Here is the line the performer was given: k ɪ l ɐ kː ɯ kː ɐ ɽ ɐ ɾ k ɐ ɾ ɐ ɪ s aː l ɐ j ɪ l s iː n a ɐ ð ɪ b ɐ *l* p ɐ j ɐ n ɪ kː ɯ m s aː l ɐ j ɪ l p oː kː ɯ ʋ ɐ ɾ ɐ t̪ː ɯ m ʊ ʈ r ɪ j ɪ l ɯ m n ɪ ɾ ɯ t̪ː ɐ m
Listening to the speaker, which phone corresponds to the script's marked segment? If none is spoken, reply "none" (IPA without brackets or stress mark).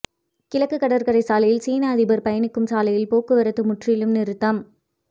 ɾ